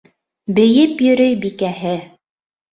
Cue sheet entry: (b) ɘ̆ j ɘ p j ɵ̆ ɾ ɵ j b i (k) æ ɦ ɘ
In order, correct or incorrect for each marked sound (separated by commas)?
correct, correct